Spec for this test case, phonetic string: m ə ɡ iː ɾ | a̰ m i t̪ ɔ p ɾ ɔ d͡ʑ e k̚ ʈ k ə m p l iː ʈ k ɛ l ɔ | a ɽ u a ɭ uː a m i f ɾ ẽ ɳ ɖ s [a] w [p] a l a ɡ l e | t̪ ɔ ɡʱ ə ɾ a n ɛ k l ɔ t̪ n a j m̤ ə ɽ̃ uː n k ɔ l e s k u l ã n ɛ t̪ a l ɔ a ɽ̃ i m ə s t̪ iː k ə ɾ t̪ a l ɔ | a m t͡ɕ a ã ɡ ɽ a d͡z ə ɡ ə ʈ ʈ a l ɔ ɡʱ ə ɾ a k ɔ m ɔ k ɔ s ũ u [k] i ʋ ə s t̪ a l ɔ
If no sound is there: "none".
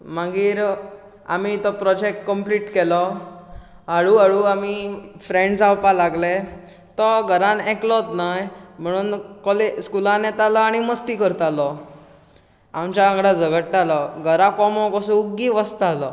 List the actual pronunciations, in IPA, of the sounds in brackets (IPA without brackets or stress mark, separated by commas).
a, p, ɡ